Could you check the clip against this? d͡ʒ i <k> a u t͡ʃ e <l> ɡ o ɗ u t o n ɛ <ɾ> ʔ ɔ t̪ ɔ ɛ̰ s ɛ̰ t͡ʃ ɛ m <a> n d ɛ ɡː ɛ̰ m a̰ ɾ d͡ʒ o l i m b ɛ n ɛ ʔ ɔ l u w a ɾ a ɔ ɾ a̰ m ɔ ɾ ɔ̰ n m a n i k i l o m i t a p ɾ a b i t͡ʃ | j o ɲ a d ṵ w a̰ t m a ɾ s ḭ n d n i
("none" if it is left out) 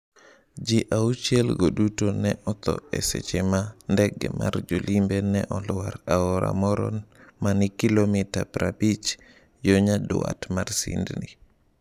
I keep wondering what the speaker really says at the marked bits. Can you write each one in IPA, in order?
ʔ, l, none, a

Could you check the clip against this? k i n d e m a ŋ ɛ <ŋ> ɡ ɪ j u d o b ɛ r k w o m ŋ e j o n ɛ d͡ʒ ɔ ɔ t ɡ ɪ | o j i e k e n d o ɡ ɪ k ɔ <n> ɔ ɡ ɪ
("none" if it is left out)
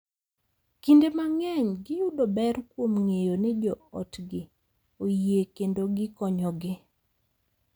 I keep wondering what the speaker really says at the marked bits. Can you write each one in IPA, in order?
ɲ, ɲ

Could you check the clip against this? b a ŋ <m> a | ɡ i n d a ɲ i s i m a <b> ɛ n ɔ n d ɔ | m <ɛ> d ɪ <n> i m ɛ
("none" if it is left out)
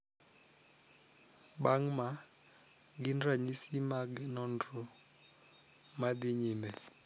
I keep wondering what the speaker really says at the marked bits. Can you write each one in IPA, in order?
m, ɡ, a, ɲ

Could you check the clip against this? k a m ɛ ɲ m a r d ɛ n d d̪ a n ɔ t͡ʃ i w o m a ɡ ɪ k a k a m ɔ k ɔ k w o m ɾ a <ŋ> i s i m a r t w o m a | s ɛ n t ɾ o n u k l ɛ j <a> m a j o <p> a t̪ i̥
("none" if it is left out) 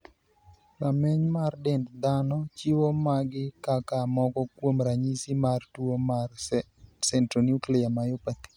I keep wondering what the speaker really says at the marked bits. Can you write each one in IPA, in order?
ɲ, a, p

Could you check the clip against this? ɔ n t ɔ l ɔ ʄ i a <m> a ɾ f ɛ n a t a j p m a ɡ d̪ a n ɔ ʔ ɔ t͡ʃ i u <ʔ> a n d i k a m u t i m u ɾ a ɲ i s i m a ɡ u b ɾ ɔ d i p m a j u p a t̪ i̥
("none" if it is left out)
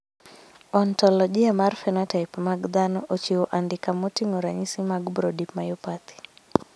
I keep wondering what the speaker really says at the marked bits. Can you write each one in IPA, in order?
m, ʔ

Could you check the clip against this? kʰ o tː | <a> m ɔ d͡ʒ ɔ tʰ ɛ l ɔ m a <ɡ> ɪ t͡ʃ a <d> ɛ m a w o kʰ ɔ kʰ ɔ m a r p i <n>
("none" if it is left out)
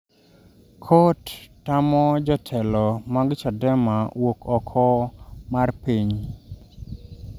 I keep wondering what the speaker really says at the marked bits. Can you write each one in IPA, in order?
a, ɡ, d, ɲ

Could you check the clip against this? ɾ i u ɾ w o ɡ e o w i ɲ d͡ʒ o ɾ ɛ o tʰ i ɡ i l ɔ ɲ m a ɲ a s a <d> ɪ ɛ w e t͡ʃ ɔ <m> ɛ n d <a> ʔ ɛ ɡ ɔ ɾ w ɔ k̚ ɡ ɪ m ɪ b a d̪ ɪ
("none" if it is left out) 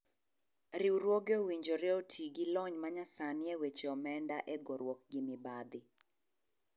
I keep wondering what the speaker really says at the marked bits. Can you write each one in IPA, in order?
n, m, a

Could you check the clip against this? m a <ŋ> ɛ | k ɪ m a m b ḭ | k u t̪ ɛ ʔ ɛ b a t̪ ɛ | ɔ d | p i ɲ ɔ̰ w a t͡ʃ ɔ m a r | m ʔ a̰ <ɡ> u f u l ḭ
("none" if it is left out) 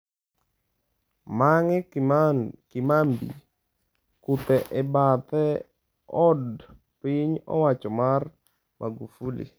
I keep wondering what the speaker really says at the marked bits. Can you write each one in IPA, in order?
ŋ, ɡ

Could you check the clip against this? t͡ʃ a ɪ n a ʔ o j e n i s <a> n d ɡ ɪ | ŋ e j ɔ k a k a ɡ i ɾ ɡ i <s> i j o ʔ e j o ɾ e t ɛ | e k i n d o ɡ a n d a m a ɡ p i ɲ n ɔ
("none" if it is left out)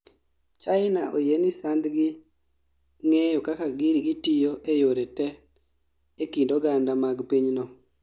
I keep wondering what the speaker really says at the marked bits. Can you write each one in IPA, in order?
a, t

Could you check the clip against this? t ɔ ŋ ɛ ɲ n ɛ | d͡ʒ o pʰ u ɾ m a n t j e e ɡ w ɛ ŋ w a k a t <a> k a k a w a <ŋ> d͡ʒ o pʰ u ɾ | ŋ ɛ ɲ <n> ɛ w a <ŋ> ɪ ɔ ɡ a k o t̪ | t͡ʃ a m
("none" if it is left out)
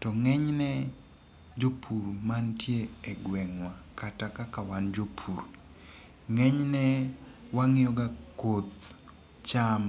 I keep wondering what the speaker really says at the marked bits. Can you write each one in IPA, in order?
a, n, n, ŋ

